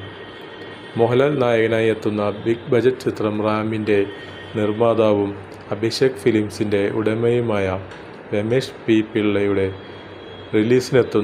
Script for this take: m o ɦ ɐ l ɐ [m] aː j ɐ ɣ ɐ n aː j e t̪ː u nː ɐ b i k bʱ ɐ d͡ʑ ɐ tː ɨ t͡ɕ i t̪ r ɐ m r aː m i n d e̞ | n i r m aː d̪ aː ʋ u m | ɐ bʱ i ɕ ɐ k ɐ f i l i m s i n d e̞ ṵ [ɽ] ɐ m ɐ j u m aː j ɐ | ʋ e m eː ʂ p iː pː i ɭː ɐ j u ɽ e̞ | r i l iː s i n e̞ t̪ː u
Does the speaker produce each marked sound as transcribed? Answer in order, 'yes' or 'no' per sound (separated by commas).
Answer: no, yes